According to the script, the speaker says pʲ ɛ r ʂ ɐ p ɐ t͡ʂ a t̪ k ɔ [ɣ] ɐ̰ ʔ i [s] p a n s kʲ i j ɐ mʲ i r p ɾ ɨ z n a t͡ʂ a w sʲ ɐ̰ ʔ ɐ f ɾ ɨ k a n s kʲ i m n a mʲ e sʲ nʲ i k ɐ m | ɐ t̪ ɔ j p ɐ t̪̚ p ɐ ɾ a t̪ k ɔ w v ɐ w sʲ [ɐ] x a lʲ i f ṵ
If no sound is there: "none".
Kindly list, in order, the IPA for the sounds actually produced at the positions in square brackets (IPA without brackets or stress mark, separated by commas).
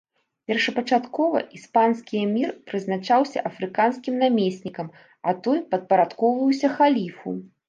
v, s, ɐ